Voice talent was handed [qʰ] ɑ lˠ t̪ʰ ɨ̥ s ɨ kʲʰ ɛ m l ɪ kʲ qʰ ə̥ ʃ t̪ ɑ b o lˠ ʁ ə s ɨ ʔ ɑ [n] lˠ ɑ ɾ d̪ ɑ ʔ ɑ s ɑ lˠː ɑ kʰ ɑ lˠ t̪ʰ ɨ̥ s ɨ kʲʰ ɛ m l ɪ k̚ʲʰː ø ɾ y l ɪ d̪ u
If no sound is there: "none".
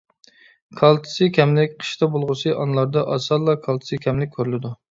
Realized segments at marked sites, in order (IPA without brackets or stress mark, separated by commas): kʰ, n